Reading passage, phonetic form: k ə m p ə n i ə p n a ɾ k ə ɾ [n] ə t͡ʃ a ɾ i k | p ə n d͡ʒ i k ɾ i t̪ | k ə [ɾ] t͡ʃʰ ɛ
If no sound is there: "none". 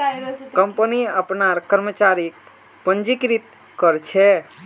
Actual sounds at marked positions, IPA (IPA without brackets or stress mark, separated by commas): m, ɾ